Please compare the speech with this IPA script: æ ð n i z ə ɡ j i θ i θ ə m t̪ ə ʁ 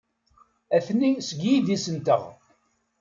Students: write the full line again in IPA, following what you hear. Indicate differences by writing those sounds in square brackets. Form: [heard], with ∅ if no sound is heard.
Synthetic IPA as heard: æ [θ] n i [s] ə ɡ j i [ð] i [s] ə [n] t̪ ə ʁ